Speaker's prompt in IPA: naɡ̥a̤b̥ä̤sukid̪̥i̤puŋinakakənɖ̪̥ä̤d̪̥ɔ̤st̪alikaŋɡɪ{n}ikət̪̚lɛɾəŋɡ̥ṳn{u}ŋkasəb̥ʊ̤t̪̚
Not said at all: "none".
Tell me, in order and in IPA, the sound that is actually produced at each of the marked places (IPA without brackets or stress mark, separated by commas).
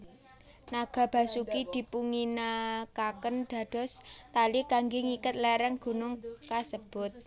ŋ, ʊ